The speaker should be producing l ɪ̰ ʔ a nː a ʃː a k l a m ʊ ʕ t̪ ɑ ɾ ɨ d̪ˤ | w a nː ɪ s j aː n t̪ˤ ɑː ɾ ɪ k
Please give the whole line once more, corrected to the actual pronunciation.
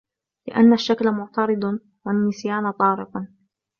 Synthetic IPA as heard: l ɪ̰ ʔ a nː a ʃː a k l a m ʊ ʕ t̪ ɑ ɾ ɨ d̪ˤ | w a nː ɪ s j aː n t̪ˤ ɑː ɾ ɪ q